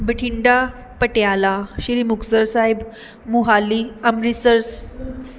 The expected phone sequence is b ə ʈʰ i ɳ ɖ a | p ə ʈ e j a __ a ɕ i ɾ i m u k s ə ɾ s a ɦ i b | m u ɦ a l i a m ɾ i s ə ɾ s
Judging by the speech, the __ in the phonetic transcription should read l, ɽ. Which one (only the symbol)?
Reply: l